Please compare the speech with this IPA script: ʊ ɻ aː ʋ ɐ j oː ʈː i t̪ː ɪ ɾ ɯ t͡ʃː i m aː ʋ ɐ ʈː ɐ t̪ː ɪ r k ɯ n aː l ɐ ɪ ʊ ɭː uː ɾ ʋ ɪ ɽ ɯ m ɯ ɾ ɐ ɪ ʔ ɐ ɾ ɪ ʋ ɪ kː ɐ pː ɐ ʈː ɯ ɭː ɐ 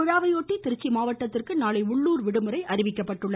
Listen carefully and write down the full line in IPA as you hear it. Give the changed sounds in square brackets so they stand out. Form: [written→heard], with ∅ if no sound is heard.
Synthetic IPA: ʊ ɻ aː ʋ ɐ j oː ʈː i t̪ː ɪ ɾ ɯ t͡ʃː i m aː ʋ ɐ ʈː ɐ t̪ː ɪ r k ɯ n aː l ɐ ɪ ʊ ɭː uː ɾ ʋ ɪ ɽ ɯ m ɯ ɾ ɐ ɪ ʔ ɐ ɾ ɪ ʋ ɪ kː ɐ pː ɐ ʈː ɯ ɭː ɐ